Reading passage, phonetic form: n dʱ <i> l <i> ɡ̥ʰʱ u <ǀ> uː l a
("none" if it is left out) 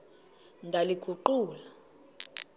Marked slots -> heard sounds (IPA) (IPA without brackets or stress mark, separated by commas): a, i, ǃ